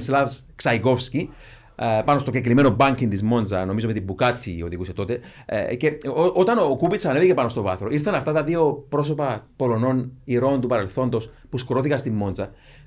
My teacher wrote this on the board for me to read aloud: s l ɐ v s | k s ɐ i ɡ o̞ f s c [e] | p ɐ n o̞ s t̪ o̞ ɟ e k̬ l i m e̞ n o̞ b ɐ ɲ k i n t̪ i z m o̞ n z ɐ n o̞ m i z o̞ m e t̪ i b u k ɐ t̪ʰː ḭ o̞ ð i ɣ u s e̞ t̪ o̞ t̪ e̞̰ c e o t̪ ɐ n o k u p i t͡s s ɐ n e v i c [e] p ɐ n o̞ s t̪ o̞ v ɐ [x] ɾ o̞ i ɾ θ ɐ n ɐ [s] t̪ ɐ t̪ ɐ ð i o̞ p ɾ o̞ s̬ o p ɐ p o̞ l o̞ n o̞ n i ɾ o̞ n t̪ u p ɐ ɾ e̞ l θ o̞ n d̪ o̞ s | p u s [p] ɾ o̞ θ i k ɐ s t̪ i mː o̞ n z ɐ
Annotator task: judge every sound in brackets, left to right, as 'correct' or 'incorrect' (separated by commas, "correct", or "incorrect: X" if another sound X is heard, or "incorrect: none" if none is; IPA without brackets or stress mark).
incorrect: i, correct, incorrect: θ, incorrect: f, incorrect: k